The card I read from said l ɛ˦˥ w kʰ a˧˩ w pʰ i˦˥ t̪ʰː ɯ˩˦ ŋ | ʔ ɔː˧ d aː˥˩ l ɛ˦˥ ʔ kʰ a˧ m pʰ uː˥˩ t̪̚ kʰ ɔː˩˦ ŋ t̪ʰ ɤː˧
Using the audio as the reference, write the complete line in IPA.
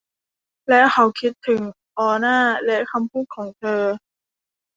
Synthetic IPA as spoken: l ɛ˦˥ w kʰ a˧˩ w kʰ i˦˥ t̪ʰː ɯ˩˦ ŋ | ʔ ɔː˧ n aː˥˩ l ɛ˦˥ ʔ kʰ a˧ m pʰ uː˥˩ t̪̚ kʰ ɔː˩˦ ŋ t̪ʰ ɤː˧